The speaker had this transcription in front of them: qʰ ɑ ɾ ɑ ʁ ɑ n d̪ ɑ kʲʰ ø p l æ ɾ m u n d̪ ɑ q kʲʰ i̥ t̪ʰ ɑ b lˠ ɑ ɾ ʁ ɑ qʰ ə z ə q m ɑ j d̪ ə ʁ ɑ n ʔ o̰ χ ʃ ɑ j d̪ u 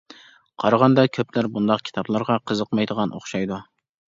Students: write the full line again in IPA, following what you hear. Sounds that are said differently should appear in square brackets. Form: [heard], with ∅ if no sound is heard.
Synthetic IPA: qʰ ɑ ɾ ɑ ʁ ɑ n d̪ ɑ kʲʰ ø p l æ ɾ [b] u n d̪ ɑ q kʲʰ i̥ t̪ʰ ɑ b lˠ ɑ ɾ ʁ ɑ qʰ ə z ə q m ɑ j d̪ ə ʁ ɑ n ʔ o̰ χ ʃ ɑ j d̪ u